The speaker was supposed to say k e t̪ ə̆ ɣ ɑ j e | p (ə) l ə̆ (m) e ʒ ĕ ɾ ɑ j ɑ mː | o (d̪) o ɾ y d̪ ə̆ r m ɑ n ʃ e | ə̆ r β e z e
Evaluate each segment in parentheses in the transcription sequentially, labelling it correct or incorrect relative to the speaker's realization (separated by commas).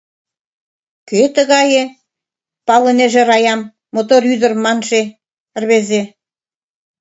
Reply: incorrect, incorrect, incorrect